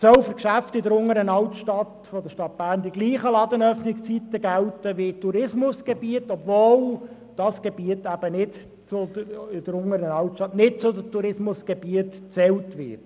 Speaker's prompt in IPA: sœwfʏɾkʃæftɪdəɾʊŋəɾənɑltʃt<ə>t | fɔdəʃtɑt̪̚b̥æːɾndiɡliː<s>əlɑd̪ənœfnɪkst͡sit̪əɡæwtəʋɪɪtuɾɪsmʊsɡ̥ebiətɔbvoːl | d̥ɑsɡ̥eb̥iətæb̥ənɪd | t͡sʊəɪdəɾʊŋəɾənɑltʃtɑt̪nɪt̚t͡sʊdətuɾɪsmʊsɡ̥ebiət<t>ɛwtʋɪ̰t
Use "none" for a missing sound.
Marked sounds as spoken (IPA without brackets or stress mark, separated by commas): ɑ, χ, t͡s